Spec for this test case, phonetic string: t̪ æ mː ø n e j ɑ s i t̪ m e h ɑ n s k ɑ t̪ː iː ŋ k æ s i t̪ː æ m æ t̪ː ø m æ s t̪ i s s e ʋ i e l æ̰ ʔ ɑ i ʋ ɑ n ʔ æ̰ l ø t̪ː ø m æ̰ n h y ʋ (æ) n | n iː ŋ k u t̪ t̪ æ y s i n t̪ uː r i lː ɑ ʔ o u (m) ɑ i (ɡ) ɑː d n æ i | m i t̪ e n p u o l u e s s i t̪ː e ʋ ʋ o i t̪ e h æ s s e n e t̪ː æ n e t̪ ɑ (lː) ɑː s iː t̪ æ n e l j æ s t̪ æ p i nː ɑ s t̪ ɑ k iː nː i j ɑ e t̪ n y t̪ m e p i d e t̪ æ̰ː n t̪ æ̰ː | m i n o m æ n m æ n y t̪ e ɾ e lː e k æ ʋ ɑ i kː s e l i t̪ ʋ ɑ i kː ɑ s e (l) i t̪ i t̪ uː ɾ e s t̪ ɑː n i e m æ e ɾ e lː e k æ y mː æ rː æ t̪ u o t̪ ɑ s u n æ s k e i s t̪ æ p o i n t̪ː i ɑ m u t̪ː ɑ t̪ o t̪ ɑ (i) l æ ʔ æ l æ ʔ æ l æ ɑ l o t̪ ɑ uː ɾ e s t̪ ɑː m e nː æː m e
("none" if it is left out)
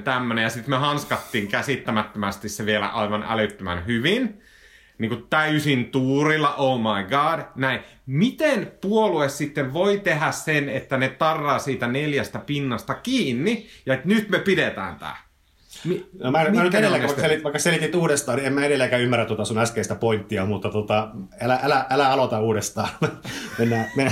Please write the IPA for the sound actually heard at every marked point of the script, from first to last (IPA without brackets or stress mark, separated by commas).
i, m, ɡ, rː, l, æ